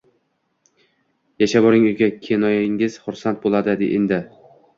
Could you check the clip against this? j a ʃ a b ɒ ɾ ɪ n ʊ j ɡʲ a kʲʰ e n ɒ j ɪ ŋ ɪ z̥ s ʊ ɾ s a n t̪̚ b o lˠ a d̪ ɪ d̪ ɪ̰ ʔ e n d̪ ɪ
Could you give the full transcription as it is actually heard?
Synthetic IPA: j a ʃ a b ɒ ɾ ɪ ŋ ʊ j ɡʲ a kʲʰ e n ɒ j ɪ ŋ ɪ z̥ χ ʊ ɾ s a n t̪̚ b o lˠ a d̪ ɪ d̪ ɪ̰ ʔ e n d̪ ɪ

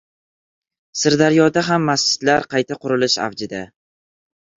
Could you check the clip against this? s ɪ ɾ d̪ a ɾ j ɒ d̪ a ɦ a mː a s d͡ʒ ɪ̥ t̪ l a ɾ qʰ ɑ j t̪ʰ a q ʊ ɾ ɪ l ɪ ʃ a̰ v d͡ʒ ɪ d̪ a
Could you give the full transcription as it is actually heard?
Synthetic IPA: s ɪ ɾ d̪ a ɾ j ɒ d̪ a ɦ a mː a s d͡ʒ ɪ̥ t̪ l a ɾ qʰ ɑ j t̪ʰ a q ʊ ɾ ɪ l ɪ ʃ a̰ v d͡ʒ ɪ d̪ a

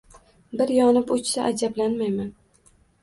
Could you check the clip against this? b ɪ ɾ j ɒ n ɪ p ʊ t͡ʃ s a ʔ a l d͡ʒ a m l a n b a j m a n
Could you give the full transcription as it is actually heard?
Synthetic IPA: b ɪ ɾ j ɒ n ɪ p ʊ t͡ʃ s a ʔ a d͡ʒ a b l a n m a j m a n

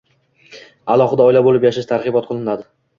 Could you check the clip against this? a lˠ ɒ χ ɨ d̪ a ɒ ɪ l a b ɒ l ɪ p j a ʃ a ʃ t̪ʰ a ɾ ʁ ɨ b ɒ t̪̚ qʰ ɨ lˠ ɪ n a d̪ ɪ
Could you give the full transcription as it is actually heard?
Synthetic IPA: a lˠ ɒ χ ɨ d̪ a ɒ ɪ l a b o l ɪ p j a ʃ a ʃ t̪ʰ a ɾ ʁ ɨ b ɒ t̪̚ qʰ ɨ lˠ ɪ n a d̪ ɪ

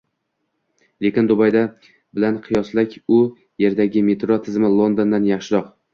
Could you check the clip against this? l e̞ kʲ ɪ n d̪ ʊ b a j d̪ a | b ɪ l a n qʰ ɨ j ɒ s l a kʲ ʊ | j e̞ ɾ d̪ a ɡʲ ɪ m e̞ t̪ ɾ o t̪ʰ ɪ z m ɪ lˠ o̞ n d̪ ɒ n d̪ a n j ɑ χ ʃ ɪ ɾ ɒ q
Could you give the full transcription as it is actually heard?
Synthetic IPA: l e̞ kʲ ɪ n d̪ ʊ b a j d̪ a | b ɪ l a n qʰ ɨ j ɒ s l a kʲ ʊ | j e̞ ɾ d̪ a ɡʲ ɪ m e̞ t̪ ɾ o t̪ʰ ɪ z m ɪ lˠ o̞ n d̪ o n d̪ a n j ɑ χ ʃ ɪ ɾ ɒ q

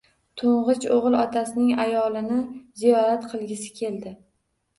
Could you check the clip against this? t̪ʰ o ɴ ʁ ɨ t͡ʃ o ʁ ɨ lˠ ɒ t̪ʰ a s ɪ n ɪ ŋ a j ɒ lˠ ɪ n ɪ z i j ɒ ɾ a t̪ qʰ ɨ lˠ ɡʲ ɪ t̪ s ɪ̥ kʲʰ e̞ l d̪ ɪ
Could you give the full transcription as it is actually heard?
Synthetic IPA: t̪ʰ o ɴ ʁ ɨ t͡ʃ o ʁ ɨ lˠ ɒ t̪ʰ a s ɪ n ɪ ŋ a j ɒ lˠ ɪ n ɪ z i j ɒ ɾ a t̪ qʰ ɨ lˠ ɡʲ ɪ s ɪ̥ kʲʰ e̞ l d̪ ɪ

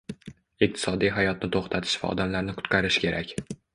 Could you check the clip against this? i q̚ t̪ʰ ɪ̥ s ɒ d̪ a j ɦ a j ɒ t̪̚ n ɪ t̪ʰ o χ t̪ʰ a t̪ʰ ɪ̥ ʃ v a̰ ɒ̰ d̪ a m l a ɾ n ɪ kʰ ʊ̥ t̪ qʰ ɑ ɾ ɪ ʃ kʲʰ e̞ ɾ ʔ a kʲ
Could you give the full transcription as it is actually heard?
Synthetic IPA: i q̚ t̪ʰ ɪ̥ s ɒ d̪ i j ɦ a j ɒ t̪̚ n ɪ t̪ʰ o χ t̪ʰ a t̪ʰ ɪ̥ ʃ v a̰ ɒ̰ d̪ a m l a ɾ n ɪ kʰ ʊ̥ t̪ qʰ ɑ ɾ ɪ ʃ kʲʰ e̞ ɾ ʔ a kʲ

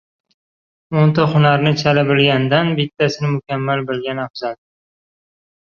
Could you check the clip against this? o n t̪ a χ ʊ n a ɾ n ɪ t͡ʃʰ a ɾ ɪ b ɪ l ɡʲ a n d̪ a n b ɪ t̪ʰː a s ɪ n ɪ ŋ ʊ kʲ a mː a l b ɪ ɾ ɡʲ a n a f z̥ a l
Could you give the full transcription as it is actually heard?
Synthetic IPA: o n t̪ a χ ʊ n a ɾ n ɪ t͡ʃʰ a l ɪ b ɪ l ɡʲ a n d̪ a n b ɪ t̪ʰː a s ɪ n ɪ m ʊ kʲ a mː a l b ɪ l ɡʲ a n a f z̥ a l

